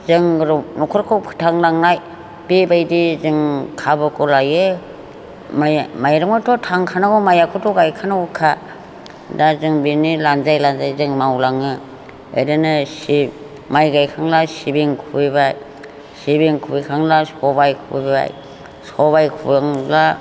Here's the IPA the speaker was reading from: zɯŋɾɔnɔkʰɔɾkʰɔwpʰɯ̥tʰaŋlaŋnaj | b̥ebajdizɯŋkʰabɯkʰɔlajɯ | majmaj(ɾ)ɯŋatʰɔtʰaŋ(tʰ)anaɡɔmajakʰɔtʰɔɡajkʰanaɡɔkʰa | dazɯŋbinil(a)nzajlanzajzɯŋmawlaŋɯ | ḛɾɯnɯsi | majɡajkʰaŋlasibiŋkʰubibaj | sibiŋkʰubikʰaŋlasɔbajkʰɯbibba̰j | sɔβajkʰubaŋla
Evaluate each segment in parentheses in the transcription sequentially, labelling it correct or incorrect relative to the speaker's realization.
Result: correct, incorrect, correct

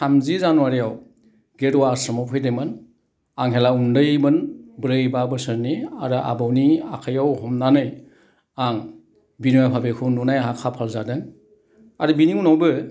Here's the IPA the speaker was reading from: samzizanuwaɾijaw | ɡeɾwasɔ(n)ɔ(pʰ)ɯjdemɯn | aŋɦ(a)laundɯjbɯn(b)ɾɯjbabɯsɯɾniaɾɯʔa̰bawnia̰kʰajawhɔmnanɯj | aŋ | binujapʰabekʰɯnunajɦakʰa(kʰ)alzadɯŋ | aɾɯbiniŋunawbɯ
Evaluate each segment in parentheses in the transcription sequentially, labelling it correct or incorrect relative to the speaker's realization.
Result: incorrect, correct, incorrect, correct, incorrect

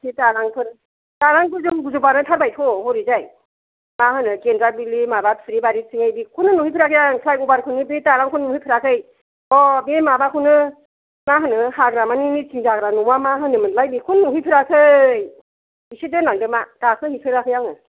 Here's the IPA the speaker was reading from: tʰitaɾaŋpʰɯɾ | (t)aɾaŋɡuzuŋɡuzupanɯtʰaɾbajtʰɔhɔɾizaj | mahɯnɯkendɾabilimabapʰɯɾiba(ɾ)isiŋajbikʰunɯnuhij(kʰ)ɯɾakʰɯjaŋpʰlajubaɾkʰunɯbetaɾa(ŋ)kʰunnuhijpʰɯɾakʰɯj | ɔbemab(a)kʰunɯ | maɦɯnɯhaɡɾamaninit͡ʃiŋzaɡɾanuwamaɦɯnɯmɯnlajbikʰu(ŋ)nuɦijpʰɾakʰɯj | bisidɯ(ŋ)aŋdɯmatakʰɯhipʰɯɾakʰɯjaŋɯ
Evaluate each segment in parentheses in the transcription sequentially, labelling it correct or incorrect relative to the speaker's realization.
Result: correct, correct, incorrect, correct, correct, incorrect, incorrect

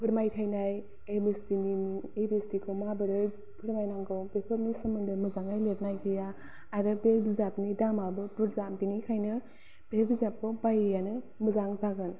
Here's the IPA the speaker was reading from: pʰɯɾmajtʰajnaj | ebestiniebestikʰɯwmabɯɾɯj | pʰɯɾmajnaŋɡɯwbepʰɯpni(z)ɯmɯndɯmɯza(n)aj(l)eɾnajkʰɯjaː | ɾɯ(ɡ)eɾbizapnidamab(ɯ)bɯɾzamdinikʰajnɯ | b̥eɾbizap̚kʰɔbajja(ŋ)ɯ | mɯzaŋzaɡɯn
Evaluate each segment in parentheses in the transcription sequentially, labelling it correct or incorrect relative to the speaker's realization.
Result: incorrect, incorrect, correct, incorrect, correct, incorrect

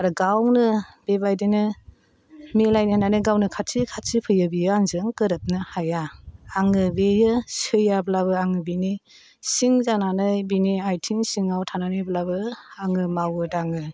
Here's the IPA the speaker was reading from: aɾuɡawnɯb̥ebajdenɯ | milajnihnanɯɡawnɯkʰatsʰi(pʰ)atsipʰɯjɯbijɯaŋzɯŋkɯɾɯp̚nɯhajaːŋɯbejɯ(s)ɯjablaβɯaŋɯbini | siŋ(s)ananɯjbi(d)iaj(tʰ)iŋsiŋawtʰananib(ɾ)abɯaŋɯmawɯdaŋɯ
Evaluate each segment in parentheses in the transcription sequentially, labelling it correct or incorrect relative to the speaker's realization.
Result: incorrect, correct, incorrect, incorrect, correct, incorrect

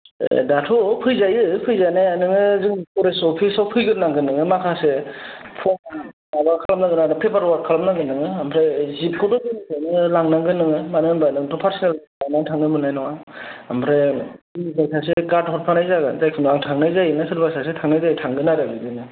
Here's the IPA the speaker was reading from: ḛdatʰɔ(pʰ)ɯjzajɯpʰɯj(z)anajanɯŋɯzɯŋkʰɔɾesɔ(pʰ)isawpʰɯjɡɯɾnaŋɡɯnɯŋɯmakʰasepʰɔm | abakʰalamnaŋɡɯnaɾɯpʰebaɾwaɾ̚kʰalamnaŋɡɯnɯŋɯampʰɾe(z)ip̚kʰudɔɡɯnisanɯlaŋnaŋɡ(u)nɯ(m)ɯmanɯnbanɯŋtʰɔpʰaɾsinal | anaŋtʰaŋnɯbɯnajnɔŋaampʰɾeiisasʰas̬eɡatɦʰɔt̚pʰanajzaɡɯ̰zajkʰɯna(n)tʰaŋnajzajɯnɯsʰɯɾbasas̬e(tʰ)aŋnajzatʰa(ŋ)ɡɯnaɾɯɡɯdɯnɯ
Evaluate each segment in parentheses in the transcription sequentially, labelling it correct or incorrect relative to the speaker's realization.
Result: correct, correct, correct, correct, incorrect, incorrect, incorrect, correct, correct

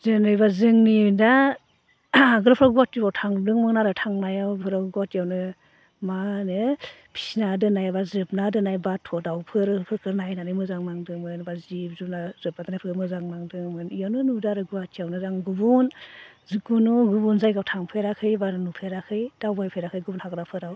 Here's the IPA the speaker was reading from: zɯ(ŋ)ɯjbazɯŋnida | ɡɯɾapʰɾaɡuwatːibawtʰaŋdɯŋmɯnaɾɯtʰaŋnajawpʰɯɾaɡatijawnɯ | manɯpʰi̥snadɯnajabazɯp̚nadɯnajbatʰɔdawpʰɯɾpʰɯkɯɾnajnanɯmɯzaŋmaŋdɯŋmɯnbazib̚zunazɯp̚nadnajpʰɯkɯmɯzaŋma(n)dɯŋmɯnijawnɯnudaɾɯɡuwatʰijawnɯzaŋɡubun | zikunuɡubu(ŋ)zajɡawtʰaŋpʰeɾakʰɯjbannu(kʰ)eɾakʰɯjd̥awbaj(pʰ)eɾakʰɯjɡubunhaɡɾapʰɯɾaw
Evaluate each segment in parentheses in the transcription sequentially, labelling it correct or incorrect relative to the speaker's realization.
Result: incorrect, incorrect, incorrect, incorrect, correct

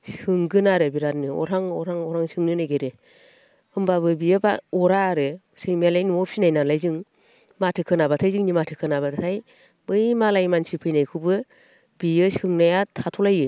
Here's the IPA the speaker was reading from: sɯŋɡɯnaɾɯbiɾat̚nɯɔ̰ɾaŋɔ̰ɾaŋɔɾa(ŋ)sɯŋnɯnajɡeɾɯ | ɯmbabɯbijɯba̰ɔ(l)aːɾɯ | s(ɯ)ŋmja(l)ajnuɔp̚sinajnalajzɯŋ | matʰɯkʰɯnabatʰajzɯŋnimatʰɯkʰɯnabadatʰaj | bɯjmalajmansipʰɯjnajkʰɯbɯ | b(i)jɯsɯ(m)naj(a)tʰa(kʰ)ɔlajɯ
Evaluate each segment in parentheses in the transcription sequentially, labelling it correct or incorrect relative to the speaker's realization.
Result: correct, incorrect, correct, correct, correct, incorrect, correct, incorrect

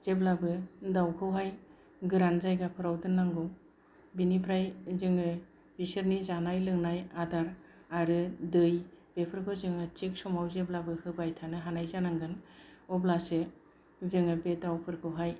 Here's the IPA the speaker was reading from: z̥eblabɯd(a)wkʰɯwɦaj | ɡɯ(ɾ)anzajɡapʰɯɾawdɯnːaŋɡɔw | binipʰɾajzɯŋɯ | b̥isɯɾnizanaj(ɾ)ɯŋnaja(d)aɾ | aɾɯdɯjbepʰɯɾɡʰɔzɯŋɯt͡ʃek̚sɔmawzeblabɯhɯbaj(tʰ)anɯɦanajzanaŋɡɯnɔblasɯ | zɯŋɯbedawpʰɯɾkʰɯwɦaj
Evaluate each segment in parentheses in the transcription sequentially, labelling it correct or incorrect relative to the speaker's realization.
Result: correct, correct, incorrect, correct, correct

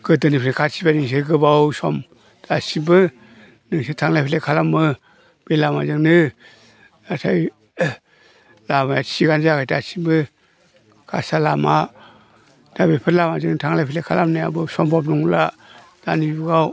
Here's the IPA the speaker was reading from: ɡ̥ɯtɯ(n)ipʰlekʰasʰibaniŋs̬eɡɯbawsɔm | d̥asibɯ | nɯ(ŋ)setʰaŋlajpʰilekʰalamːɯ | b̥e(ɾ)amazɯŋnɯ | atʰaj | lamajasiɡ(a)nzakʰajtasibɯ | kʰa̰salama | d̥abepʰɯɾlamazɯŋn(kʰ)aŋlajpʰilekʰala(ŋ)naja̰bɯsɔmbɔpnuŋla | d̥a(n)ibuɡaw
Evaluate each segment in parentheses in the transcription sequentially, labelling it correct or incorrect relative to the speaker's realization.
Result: correct, correct, incorrect, correct, incorrect, incorrect, correct

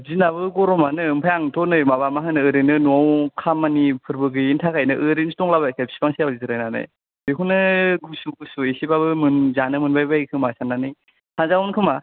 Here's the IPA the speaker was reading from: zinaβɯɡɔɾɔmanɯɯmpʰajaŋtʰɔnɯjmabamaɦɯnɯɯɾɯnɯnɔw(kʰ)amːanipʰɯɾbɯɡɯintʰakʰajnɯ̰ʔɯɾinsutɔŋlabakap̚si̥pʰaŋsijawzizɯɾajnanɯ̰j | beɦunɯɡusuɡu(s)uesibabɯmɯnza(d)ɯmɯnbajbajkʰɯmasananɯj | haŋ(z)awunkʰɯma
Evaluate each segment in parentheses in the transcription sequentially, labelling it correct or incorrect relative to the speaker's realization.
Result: correct, correct, incorrect, correct

